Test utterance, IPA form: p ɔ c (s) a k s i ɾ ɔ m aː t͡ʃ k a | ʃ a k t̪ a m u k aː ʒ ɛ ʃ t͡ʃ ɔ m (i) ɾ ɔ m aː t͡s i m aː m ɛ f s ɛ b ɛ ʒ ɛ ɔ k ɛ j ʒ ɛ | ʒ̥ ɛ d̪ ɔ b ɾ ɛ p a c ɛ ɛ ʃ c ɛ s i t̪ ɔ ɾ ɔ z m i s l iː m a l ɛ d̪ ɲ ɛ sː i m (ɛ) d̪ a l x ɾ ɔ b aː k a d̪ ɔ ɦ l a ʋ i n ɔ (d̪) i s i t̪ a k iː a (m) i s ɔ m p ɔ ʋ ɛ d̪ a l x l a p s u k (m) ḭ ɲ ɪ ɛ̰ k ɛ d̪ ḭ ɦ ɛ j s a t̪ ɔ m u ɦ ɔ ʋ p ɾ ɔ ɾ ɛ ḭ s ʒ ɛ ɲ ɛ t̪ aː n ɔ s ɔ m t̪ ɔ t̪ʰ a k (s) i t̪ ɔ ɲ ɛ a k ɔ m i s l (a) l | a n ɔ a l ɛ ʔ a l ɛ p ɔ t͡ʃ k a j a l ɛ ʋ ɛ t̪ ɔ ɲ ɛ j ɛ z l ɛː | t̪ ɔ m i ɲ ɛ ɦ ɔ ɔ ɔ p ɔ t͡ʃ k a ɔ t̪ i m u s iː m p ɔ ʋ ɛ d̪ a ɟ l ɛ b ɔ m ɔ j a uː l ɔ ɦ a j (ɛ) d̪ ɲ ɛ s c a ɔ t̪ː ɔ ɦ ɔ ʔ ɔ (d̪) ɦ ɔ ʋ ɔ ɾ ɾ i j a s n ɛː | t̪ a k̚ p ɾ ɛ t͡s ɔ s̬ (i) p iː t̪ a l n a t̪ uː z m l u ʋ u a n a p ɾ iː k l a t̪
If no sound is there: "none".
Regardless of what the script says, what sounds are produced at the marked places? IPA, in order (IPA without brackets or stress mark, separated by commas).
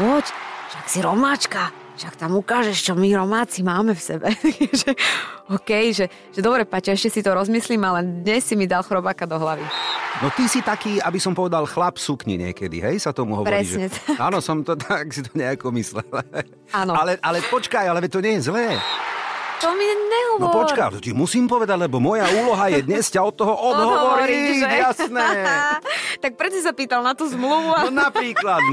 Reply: ʃ, i, i, t̪, b, ɲ, s, ɛ, ɛ, d̪, a